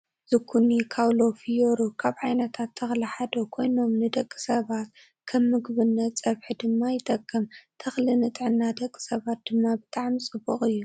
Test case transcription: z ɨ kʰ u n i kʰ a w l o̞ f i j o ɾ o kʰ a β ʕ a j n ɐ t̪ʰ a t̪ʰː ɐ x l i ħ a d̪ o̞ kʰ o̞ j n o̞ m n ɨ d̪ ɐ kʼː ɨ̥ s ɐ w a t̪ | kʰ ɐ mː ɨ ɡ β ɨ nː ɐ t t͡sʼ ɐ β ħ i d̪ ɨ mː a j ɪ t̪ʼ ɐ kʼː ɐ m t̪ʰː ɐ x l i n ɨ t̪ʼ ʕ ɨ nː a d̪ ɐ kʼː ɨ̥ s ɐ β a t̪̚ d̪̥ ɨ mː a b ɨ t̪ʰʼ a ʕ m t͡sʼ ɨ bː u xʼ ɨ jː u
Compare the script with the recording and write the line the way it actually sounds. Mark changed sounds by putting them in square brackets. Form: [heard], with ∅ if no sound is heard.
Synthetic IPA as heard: z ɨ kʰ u n i kʰ a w l o̞ f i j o ɾ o kʰ a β ʕ a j n ɐ t̪ʰ a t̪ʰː ɐ x l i ħ a d̪ o̞ kʰ o̞ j n o̞ m n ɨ d̪ ɐ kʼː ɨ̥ s ɐ [β] a t̪ | kʰ ɐ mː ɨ ɡ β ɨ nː ɐ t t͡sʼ ɐ β ħ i d̪ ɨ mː a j ɪ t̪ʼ ɐ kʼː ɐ m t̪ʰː ɐ x l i n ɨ t̪ʼ ʕ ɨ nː a d̪ ɐ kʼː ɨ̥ s ɐ β a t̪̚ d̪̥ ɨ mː a b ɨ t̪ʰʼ a ʕ m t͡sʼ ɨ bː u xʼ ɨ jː u